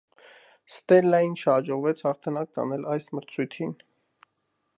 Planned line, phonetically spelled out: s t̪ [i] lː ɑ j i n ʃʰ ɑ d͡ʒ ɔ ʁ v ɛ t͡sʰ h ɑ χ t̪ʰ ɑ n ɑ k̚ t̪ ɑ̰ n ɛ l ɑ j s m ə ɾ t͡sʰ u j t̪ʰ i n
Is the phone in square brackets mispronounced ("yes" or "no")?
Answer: yes